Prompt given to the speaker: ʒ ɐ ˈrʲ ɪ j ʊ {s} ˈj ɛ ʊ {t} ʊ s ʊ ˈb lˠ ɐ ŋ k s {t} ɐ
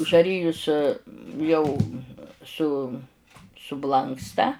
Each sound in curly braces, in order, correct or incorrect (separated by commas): correct, incorrect, correct